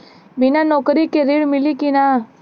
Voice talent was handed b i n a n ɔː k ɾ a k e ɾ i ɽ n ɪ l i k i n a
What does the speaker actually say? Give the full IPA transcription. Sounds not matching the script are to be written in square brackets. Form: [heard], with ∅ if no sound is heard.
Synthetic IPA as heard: b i n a n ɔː k ɾ [i] k e ɾ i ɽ [m] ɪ l i k i n a